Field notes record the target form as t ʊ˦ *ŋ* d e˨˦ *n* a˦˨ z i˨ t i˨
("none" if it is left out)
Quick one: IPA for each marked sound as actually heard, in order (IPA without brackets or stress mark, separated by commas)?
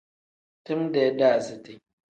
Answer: m, d